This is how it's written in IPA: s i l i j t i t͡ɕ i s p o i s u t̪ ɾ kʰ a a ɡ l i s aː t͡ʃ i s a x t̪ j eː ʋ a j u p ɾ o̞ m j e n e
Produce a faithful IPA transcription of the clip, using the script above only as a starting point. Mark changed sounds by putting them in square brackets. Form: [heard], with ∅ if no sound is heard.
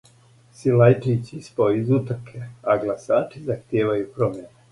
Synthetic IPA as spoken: s i l [a] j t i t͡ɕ i s p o i [z] u t̪ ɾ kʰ [e] a ɡ l [a] s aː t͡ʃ i [z] a x t̪ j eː ʋ a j u p ɾ o̞ m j e n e